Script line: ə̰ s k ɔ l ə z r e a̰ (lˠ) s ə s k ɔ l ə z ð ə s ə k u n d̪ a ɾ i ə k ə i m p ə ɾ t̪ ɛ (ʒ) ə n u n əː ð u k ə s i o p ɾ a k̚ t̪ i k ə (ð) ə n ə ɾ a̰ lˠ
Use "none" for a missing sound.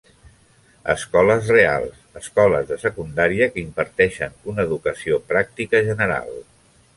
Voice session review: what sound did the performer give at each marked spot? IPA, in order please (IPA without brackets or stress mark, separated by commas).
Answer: lˠ, ʃ, ʒ